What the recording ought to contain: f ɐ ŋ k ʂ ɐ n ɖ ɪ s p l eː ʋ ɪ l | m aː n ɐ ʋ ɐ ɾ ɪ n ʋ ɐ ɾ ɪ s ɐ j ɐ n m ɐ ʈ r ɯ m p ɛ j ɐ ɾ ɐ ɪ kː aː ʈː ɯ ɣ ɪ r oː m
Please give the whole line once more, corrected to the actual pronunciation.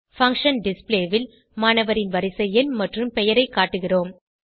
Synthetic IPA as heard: f ɐ ŋ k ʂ ɐ n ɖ ɪ s p l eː ʋ ɪ l | m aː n ɐ ʋ ɐ ɾ ɪ n ʋ ɐ ɾ ɪ s ɐ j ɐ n m ɐ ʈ r ɯ m p ɛ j ɐ ɾ ɐ ɪ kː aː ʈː ɯ ɣ ɪ r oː m